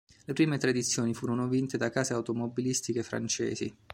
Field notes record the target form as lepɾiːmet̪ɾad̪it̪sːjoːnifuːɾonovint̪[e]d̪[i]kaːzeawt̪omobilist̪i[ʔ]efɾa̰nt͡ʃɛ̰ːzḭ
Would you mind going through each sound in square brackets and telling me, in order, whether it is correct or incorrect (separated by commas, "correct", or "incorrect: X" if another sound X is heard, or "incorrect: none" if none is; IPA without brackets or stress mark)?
correct, incorrect: a, incorrect: k